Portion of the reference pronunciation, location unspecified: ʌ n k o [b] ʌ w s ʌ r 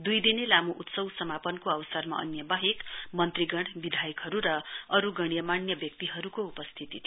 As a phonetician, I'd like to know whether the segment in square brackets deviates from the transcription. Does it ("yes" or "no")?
yes